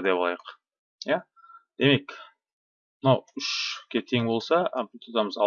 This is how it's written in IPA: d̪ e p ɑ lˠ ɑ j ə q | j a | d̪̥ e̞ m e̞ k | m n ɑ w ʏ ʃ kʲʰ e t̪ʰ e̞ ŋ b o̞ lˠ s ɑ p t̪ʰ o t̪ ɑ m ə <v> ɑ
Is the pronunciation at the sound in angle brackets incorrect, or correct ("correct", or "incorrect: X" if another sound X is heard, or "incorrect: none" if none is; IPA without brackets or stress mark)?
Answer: incorrect: z